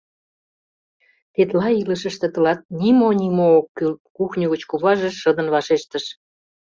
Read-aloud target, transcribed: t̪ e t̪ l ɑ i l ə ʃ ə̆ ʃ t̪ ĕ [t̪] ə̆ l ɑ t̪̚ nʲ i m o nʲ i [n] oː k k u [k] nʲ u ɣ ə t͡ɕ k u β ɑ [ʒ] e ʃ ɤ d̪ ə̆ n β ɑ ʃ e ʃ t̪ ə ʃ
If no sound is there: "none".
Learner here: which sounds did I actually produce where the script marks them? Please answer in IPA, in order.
t̪, m, x, ʒ

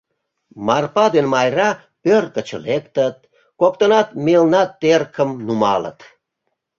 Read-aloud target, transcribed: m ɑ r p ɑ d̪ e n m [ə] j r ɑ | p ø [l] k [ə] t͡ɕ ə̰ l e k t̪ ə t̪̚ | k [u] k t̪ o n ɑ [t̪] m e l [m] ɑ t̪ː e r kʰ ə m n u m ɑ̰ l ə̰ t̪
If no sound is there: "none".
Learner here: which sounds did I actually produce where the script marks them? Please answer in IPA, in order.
ɑ, r, ə, o, t̪, n

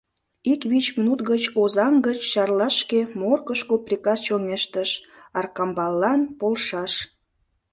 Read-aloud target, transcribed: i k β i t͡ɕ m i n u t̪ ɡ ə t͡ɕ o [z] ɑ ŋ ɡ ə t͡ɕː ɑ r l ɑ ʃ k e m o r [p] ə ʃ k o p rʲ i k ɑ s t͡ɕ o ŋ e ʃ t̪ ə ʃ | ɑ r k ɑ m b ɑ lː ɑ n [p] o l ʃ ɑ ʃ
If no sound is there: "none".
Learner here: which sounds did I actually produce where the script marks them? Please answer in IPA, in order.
z, k, p

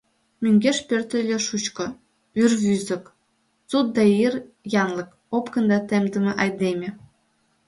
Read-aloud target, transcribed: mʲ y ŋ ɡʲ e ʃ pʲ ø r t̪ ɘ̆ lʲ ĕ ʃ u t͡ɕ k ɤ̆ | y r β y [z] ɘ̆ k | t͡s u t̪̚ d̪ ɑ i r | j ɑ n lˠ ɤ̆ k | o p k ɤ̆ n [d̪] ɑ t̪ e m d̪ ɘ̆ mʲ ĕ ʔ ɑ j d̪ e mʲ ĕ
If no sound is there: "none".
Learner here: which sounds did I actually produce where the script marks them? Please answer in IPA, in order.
z, d̪

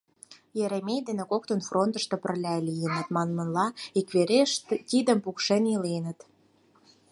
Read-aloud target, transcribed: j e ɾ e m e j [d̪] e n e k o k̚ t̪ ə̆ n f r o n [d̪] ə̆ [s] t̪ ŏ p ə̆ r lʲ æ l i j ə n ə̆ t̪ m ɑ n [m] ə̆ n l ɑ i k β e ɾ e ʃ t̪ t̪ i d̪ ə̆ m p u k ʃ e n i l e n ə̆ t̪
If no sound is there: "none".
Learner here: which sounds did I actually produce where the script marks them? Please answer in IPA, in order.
d̪, t̪, ʃ, m

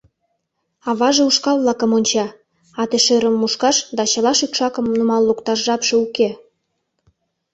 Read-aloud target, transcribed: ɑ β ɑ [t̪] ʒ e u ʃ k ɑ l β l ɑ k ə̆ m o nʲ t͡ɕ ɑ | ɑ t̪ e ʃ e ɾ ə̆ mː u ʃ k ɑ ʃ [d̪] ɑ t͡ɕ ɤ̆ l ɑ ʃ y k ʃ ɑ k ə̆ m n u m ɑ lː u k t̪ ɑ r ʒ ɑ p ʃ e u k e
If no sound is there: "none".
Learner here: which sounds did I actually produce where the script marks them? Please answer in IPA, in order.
none, d̪

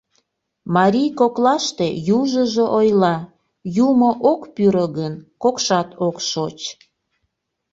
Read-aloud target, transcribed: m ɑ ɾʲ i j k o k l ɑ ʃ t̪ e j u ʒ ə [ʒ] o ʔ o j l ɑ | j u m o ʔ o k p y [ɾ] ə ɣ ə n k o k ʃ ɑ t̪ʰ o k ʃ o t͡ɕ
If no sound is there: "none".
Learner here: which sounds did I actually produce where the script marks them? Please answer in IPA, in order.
ʒ, ɾ

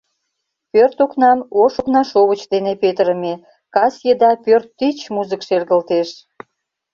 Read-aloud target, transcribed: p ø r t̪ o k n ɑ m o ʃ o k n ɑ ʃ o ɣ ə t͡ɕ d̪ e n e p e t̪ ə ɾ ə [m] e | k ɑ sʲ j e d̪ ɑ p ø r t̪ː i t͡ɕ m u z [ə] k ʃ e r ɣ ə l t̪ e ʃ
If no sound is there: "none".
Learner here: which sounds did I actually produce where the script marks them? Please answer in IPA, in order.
m, ə

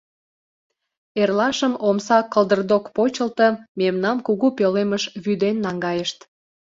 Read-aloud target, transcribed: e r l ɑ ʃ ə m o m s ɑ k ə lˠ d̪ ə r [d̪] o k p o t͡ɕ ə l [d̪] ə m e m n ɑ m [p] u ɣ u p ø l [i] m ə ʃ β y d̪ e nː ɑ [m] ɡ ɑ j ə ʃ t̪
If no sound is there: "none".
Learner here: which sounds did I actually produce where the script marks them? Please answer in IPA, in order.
d̪, t̪, k, e, ŋ

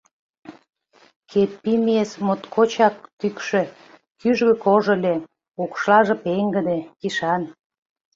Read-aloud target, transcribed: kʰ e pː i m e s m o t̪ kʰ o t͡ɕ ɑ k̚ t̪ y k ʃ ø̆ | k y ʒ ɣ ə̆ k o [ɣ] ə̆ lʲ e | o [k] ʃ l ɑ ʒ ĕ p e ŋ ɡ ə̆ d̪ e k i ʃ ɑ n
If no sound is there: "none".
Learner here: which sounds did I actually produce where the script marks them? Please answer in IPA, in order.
ʒ, k

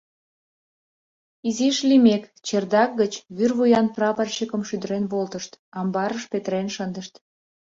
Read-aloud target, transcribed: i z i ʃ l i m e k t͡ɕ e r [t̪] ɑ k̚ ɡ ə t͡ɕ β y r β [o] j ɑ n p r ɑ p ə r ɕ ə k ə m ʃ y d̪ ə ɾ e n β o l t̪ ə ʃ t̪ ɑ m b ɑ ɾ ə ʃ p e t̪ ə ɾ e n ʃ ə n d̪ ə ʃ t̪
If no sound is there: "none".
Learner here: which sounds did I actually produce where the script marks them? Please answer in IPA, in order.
d̪, u

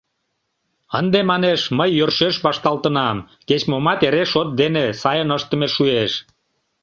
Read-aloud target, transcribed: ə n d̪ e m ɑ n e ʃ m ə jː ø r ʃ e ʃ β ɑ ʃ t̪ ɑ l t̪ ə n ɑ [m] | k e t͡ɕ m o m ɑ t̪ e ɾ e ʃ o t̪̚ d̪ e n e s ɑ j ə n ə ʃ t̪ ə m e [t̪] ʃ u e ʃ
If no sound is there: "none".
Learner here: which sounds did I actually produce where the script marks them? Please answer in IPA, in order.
m, none

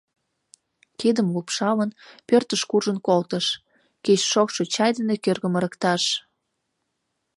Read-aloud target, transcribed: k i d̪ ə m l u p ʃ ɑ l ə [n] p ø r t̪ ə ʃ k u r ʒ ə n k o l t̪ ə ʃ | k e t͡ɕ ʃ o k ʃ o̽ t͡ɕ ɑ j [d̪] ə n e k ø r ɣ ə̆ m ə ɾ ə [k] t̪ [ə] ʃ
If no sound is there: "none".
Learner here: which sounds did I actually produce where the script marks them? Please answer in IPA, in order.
n, d̪, k, ɑ

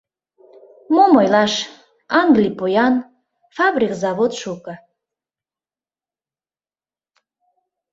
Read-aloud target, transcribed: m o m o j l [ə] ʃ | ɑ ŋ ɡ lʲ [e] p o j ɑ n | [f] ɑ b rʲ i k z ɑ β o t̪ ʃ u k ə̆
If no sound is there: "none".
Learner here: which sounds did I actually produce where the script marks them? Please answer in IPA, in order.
ɑ, i, f

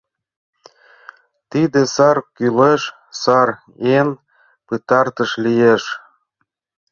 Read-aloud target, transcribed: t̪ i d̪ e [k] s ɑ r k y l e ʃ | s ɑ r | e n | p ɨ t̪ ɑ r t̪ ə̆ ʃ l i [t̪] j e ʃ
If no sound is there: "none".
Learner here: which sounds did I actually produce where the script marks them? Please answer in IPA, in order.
none, none

